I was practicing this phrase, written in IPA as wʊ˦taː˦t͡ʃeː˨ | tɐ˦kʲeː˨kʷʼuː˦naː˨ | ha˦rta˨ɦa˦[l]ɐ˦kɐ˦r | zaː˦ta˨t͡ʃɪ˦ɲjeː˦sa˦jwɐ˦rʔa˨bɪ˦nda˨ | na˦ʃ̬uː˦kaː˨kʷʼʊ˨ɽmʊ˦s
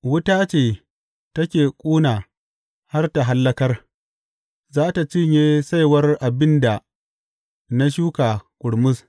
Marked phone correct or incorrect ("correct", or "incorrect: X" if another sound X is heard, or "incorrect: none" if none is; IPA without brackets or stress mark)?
incorrect: lː